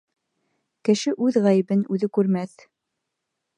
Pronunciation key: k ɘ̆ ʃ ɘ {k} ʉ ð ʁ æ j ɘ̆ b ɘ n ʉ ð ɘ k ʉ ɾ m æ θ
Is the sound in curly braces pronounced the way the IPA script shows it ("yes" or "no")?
no